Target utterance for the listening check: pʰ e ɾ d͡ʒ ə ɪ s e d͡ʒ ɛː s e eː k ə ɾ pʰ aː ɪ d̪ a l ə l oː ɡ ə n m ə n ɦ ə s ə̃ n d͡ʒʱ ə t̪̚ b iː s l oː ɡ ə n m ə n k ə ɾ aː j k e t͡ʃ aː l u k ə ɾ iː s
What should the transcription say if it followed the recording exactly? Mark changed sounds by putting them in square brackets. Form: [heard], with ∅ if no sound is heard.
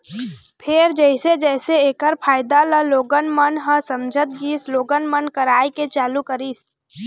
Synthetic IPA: pʰ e ɾ d͡ʒ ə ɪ s e d͡ʒ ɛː s e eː k ə ɾ pʰ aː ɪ d̪ a l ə l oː ɡ ə n m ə n ɦ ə s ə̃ [m] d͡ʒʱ ə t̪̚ [ɡ] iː s l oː ɡ ə n m ə n k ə ɾ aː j k e t͡ʃ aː l u k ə ɾ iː s